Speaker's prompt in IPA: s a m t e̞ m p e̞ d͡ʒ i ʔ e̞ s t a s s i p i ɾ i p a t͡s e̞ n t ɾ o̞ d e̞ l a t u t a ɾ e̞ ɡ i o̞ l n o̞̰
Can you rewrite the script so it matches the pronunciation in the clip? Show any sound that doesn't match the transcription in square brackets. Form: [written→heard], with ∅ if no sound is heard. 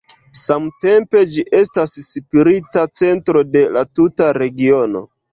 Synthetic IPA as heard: s a m t e̞ m p e̞ d͡ʒ i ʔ e̞ s t a s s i p i ɾ i [p→t] a t͡s e̞ n t ɾ o̞ d e̞ l a t u t a ɾ e̞ ɡ i o̞ [l→∅] n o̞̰